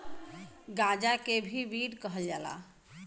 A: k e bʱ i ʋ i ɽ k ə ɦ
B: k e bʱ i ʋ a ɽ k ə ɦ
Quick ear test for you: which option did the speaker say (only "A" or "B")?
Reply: A